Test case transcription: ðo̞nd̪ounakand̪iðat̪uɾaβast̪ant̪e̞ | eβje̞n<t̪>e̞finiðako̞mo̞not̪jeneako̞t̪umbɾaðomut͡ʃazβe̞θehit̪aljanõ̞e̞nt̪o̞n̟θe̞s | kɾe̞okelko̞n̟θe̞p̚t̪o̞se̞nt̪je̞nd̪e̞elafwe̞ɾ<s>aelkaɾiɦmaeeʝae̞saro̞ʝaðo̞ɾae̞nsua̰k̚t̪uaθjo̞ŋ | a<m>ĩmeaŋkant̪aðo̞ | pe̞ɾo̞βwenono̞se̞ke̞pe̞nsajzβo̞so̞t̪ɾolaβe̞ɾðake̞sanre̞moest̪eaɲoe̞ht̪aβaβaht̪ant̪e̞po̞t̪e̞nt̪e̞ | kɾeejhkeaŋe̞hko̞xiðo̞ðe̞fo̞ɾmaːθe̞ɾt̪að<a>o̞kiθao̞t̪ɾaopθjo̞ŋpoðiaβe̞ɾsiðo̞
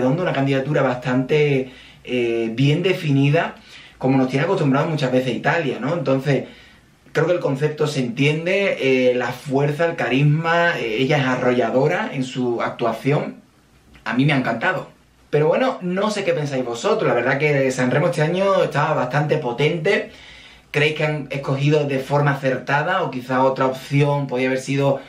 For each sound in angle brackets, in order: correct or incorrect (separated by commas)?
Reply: incorrect, incorrect, correct, correct